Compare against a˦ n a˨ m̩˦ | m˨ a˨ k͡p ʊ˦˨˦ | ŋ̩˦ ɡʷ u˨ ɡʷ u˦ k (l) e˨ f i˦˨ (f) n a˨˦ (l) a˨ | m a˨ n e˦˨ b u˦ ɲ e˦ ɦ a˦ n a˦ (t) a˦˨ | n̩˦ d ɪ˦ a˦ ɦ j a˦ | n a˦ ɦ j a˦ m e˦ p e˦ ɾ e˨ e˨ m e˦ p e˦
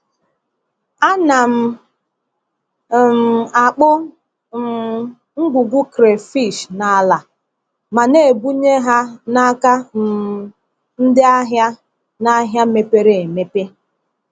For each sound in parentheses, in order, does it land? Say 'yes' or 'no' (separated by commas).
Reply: no, no, yes, no